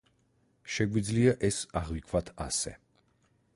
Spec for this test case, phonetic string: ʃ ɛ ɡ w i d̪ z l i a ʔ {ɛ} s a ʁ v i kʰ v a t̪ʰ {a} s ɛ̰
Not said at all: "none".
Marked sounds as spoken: ɛ, a

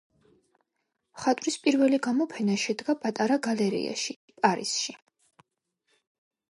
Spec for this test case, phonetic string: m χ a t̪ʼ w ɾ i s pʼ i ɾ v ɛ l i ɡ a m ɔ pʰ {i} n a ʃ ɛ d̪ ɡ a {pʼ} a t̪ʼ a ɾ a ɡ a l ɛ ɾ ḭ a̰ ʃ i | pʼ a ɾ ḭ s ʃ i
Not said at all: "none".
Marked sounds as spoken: ɛ, pʼ

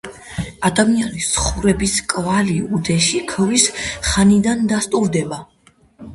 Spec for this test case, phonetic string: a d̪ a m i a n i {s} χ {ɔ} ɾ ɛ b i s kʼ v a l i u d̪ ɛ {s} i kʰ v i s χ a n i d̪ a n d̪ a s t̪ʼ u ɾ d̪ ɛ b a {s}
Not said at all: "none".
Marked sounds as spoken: s, u, ʃ, none

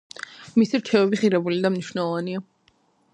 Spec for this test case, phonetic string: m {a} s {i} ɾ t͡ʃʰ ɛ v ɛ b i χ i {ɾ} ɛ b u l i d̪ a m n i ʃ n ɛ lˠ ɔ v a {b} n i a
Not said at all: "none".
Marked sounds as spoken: i, i, ɾ, none

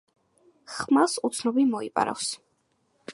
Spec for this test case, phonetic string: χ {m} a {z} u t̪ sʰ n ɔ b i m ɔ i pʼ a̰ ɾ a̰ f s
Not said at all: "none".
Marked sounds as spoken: m, s

